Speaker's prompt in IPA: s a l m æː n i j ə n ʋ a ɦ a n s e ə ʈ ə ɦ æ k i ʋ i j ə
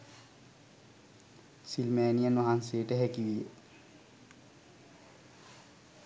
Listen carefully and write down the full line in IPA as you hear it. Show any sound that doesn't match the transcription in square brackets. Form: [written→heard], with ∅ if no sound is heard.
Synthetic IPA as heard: s [a→i] l m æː n i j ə n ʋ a ɦ a n s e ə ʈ ə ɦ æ k i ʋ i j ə